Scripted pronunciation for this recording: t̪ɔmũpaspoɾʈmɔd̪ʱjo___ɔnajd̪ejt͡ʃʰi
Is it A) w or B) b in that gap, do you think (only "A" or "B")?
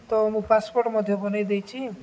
B